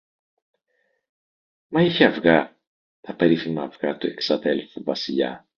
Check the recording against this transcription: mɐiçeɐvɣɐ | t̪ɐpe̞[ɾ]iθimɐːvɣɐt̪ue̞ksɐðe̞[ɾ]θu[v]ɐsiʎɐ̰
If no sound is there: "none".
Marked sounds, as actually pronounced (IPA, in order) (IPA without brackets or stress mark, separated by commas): ɾ, l, v